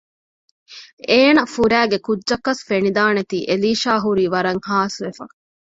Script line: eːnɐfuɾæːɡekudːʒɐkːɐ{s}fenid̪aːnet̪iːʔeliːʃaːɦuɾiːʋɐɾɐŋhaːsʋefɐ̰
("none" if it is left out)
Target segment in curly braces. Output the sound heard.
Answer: s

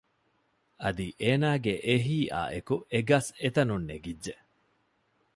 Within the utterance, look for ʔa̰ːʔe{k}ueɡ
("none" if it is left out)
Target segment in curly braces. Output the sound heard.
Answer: k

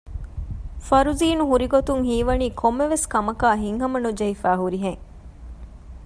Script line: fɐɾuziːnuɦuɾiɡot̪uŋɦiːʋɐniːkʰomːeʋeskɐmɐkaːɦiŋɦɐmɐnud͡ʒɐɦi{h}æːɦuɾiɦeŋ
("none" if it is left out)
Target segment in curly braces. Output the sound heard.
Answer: f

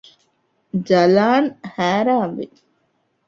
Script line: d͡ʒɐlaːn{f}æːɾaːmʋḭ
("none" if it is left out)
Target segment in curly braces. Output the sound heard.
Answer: h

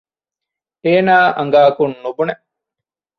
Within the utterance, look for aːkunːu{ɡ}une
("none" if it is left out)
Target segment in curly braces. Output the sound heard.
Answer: b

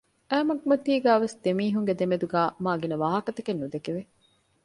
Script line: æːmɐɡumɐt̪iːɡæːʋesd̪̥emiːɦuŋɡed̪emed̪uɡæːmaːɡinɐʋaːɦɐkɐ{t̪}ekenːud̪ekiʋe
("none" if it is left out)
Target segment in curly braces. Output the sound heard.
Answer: t̪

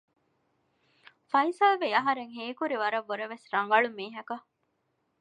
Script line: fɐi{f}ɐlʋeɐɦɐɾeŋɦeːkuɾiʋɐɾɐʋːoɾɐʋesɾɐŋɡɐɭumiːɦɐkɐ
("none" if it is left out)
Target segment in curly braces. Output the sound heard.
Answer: s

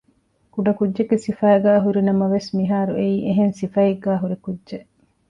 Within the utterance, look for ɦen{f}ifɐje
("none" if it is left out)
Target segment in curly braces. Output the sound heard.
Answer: s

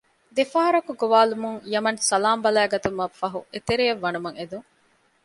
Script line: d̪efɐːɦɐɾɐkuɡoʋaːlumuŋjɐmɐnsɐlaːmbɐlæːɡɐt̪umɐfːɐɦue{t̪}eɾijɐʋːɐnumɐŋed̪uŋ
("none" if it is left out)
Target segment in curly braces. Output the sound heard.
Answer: t̪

